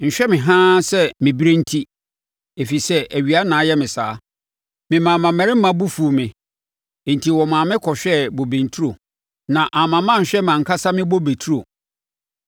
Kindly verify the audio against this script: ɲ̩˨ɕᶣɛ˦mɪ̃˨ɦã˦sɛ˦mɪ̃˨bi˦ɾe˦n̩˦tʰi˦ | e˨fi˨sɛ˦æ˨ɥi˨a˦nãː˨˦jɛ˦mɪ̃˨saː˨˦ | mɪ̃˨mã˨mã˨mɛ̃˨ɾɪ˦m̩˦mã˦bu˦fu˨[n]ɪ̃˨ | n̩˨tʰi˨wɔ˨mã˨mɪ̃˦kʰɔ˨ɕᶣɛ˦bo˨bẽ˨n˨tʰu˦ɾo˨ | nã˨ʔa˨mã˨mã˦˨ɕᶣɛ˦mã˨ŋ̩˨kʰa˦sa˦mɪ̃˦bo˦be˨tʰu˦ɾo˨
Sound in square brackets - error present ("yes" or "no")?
yes